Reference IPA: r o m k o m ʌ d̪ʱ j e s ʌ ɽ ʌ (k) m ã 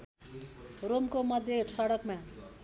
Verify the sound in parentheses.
correct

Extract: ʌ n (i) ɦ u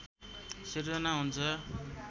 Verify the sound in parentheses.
incorrect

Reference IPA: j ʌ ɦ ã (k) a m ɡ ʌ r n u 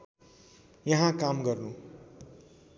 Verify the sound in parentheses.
correct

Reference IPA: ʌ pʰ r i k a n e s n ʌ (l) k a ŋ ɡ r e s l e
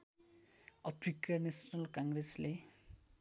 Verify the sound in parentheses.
correct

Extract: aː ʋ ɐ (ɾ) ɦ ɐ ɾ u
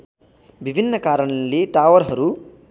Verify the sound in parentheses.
correct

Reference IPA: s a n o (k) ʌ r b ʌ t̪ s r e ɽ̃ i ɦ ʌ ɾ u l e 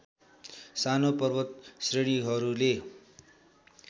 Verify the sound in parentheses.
incorrect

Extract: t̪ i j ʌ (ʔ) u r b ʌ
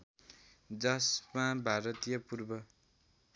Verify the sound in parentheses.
incorrect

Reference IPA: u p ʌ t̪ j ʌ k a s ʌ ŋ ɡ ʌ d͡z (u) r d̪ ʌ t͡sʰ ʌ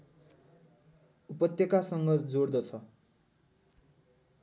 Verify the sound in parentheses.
incorrect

